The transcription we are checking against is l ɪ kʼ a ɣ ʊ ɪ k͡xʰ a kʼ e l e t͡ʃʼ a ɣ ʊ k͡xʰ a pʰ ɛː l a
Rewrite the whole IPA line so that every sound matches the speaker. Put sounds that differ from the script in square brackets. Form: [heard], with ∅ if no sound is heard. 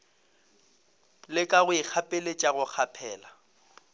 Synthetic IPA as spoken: l ɪ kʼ a ɣ ʊ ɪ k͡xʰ a [pʼ] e l e t͡ʃʼ a ɣ ʊ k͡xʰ a pʰ ɛː l a